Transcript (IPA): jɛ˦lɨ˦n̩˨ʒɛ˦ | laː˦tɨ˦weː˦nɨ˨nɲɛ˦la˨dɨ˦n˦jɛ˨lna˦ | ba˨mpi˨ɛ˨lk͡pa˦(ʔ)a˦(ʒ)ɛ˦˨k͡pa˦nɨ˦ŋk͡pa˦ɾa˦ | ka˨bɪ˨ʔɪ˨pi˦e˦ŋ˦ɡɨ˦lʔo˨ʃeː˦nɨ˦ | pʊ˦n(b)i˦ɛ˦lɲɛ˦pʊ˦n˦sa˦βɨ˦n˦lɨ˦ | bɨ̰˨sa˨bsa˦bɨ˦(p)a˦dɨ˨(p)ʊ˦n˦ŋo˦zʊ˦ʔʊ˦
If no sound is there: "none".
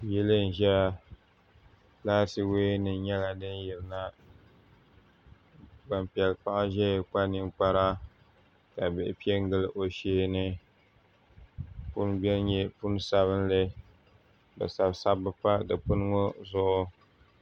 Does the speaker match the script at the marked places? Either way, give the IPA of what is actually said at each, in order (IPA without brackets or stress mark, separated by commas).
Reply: ʔ, ʒ, b, p, p